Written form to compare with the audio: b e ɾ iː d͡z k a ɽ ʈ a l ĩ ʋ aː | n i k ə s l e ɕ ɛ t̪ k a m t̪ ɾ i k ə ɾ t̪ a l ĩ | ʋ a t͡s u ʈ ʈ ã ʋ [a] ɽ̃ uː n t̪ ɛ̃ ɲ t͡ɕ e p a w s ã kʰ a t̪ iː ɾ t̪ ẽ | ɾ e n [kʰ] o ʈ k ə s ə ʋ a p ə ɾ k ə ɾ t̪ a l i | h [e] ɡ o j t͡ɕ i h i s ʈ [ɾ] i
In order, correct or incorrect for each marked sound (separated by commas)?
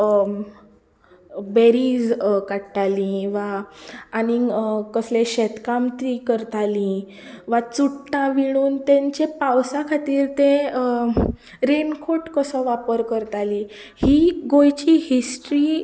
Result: incorrect, correct, incorrect, correct